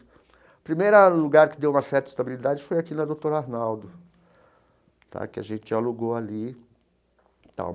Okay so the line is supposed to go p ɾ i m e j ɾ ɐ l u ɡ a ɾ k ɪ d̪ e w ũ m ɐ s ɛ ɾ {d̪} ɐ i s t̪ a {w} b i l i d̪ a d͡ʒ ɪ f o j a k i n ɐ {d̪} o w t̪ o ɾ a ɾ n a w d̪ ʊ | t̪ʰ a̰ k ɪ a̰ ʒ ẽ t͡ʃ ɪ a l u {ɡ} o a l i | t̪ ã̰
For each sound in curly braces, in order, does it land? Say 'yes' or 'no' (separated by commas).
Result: no, no, yes, yes